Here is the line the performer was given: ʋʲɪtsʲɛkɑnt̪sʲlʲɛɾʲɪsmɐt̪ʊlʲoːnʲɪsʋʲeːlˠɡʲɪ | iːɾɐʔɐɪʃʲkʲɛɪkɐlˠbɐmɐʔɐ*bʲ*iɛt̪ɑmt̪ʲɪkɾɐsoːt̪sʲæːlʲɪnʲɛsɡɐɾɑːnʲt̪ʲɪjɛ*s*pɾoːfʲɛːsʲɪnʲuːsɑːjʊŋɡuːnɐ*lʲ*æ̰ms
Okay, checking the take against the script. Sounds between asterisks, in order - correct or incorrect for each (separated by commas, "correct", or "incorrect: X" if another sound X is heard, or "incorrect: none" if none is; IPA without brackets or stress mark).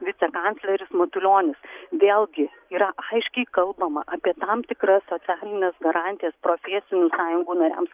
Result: incorrect: pʲ, correct, incorrect: ɾʲ